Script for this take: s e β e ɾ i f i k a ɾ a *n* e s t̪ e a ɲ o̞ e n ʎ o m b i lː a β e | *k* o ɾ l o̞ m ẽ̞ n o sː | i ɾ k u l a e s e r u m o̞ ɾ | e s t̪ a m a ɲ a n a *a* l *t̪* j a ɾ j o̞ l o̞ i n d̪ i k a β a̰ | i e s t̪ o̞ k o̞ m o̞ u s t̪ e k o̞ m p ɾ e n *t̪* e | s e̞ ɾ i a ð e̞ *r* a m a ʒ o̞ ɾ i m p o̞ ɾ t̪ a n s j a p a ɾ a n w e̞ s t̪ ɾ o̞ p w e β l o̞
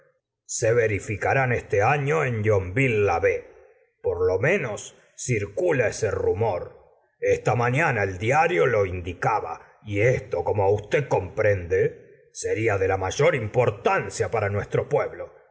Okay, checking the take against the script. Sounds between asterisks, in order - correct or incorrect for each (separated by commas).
correct, incorrect, incorrect, incorrect, incorrect, incorrect